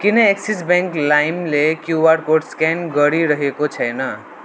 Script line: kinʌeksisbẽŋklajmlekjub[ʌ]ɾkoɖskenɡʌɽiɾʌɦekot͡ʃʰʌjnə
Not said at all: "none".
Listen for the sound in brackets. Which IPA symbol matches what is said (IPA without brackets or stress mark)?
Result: a